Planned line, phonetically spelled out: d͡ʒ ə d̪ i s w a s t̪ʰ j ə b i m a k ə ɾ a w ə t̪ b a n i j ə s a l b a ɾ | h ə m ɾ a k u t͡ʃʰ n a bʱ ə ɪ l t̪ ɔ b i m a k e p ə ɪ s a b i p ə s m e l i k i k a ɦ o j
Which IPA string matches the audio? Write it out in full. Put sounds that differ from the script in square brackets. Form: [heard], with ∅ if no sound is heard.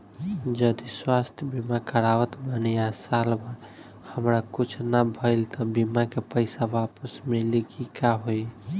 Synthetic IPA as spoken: d͡ʒ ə d̪ i s w a s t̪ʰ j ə b i m a k ə ɾ a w ə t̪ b a n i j [a] s a l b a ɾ | h ə m ɾ a k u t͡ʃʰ n a bʱ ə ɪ l t̪ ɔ b i m a k e p ə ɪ s a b [a] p ə s m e l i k i k a ɦ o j